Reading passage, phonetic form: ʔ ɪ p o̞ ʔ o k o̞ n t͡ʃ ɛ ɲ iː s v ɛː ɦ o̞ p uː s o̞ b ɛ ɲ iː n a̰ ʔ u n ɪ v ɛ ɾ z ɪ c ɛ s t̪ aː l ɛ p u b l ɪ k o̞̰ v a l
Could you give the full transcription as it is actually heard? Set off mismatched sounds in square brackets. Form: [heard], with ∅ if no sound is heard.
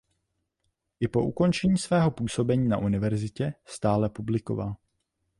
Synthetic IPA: ʔ ɪ p o̞ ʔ [u] k o̞ n t͡ʃ ɛ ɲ iː s v ɛː ɦ o̞ p uː s o̞ b ɛ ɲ iː n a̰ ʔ u n ɪ v ɛ ɾ z ɪ c ɛ s t̪ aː l ɛ p u b l ɪ k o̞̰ v a l